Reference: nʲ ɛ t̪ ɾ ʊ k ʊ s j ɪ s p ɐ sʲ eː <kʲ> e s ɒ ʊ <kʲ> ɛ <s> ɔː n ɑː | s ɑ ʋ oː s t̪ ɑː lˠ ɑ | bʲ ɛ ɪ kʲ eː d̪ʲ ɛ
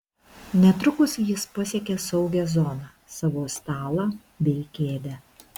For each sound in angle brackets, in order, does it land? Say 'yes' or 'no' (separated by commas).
yes, no, no